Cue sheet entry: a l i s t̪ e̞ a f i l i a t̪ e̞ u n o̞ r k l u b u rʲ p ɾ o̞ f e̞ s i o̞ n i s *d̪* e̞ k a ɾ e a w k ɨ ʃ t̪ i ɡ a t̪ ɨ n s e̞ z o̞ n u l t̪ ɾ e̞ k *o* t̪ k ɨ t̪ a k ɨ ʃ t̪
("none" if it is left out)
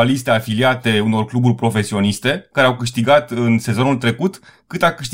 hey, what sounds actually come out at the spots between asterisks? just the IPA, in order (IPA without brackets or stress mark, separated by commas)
t̪, u